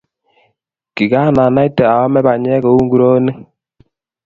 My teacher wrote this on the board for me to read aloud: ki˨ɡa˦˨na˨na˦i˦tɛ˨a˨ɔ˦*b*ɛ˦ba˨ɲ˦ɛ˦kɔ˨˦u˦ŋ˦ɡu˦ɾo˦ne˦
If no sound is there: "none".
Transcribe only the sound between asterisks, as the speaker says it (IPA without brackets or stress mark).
m